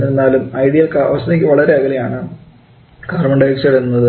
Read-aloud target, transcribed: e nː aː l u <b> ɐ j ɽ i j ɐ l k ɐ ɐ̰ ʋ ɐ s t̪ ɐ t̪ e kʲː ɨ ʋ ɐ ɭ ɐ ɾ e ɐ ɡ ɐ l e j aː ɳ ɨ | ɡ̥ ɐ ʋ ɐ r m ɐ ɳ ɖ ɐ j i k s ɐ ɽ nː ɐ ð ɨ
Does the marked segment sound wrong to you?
yes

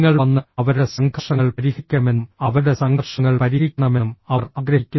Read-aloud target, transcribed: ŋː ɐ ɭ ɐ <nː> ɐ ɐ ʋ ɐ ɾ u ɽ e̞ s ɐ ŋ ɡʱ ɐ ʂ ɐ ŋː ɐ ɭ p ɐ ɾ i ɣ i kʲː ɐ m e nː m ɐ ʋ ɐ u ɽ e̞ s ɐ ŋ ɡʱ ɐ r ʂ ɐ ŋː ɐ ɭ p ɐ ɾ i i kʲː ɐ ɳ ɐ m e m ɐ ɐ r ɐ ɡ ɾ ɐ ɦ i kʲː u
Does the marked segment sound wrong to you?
no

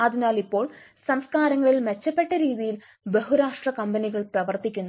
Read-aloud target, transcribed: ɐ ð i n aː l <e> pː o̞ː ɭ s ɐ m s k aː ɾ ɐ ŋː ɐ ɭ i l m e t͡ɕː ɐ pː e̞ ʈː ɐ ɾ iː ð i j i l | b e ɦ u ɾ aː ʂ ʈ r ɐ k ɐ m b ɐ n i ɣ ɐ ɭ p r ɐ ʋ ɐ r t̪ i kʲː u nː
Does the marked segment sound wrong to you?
yes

